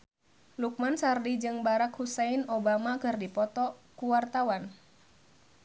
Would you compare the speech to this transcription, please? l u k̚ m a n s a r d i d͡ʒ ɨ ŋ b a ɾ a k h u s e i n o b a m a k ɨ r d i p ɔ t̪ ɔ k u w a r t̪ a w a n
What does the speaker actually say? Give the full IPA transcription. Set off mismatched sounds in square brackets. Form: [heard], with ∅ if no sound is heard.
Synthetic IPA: l u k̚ m a n s a r d i d͡ʒ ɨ ŋ b a ɾ a k h u s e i n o b a m a k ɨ r d i p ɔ t̪ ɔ k u w a r t̪ a w a n